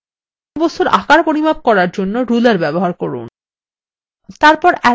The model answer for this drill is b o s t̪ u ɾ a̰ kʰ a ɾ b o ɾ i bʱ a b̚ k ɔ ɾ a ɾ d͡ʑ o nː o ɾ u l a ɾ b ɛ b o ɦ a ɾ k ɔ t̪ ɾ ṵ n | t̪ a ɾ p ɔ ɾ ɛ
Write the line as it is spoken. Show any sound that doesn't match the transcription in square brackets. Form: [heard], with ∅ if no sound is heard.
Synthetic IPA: b o s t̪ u ɾ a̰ [k] a ɾ [p] o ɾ i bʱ a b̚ k ɔ ɾ a ɾ d͡ʑ o nː o ɾ u l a ɾ b ɛ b o ɦ a ɾ k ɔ [∅] ɾ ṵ n | t̪ a ɾ p ɔ ɾ ɛ